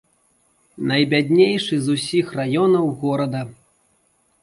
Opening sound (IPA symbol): n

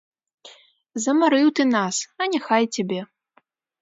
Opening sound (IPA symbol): z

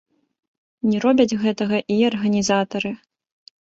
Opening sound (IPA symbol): nʲ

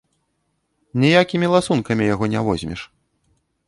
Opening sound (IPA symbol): nʲ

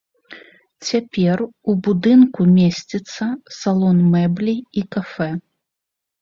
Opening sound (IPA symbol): t͡sʲ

